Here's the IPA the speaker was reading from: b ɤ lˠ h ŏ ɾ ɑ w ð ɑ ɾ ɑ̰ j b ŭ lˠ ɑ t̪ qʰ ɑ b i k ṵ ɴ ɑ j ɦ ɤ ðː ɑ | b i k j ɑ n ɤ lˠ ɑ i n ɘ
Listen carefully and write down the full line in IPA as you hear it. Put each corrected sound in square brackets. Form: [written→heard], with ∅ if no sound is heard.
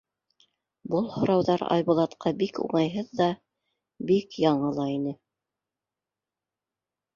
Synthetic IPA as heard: b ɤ lˠ h ŏ ɾ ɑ w ð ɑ ɾ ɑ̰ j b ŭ lˠ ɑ t̪ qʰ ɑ b i k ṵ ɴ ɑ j ɦ ɤ ðː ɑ | b i k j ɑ [n→ɴ] ɤ lˠ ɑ i n ɘ